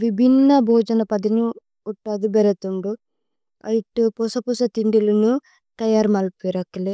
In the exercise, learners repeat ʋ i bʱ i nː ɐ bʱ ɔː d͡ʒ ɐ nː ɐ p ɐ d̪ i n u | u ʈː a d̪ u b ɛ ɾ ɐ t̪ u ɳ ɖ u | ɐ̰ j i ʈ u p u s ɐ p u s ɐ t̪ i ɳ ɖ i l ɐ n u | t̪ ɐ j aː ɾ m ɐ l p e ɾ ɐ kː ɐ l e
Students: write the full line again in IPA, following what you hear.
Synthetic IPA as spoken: ʋ i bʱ i nː ɐ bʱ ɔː d͡ʒ ɐ n ɐ p ɐ d̪ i n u | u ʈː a d̪ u b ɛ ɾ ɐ t̪ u ɳ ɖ u | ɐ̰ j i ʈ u p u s ɐ p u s ɐ t̪ i ɳ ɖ i l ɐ n u | t̪ ɐ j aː ɾ m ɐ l p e ɾ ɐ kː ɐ l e